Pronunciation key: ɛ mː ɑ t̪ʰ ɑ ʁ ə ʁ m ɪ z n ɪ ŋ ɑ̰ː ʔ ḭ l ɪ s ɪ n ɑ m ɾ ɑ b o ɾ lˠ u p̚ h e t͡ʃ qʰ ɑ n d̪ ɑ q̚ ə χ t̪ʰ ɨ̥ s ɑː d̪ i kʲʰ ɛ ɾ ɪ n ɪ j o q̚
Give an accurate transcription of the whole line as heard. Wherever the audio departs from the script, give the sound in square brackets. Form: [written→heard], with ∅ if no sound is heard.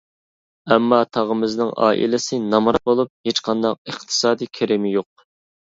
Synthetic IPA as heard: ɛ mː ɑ t̪ʰ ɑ ʁ ə [ʁ→∅] m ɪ z n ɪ ŋ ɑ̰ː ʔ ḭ l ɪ s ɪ n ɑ m ɾ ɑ b o [ɾ→∅] lˠ u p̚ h e t͡ʃ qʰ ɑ n d̪ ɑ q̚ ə χ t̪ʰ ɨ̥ s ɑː d̪ i kʲʰ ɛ ɾ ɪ [n→m] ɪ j o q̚